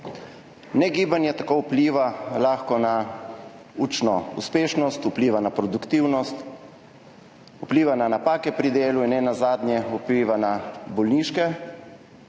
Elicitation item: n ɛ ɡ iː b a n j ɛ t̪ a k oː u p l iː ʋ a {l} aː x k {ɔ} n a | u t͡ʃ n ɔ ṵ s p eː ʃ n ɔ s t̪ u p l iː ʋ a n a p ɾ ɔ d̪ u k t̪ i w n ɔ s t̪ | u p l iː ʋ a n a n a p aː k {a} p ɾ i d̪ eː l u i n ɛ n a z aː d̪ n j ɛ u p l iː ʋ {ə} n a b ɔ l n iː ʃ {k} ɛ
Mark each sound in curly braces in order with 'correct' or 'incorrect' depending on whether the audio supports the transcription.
correct, correct, incorrect: ɛ, incorrect: a, correct

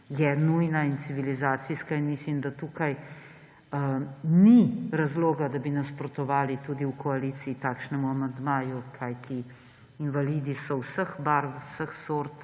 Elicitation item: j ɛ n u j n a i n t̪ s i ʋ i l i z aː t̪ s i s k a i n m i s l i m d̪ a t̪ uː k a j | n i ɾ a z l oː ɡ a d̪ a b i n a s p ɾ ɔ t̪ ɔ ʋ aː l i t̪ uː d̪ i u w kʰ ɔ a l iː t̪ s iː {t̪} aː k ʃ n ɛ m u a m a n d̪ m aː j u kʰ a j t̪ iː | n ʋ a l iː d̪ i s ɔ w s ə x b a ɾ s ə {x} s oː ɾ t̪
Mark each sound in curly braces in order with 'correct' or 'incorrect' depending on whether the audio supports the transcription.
correct, correct

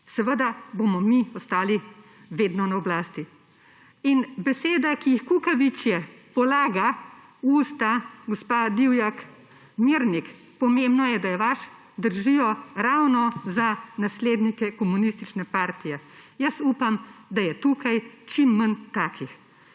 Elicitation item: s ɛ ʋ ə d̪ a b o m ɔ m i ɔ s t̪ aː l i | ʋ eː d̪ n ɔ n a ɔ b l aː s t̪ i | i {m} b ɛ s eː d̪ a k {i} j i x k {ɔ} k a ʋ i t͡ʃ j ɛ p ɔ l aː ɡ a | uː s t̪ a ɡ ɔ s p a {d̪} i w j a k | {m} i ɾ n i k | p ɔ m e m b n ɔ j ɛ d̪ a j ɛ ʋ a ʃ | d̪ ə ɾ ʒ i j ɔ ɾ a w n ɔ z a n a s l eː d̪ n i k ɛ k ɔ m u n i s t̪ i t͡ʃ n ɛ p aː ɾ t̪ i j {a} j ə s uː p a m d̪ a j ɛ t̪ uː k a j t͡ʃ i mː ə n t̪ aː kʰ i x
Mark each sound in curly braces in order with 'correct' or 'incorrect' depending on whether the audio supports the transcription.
incorrect: n, correct, incorrect: u, correct, correct, incorrect: ɛ

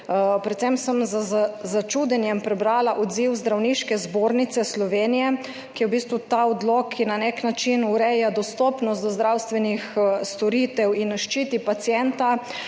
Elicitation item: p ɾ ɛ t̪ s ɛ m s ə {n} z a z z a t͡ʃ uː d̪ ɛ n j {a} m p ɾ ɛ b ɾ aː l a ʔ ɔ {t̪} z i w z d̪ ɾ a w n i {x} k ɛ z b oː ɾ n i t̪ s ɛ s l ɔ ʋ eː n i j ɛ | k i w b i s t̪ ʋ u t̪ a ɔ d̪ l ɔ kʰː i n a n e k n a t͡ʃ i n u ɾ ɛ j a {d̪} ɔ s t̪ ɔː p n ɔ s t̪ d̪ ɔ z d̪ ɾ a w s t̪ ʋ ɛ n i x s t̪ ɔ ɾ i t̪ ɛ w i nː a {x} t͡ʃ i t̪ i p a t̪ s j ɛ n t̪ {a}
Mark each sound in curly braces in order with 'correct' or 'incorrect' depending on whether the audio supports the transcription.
incorrect: m, incorrect: ɛ, incorrect: d̪, incorrect: ʃ, correct, incorrect: ʃ, correct

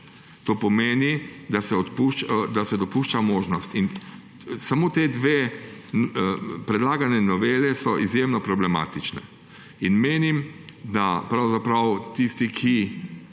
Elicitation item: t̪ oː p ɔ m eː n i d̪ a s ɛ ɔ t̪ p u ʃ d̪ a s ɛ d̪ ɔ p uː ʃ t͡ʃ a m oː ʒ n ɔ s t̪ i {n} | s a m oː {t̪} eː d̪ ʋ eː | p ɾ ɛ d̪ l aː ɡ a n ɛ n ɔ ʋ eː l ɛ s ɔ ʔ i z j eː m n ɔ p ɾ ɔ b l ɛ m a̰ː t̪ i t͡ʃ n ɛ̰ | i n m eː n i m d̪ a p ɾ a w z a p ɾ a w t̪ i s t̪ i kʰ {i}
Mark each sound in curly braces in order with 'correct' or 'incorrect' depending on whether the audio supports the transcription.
correct, correct, correct

